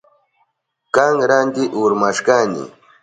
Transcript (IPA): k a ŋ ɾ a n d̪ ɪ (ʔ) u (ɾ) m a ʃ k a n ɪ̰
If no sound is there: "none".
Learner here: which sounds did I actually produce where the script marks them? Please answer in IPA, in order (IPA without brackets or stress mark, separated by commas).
ʔ, ɾ